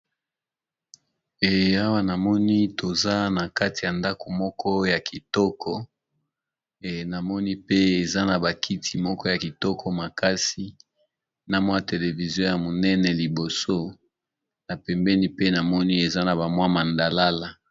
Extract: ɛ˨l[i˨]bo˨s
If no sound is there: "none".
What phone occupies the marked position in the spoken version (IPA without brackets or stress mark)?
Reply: i˨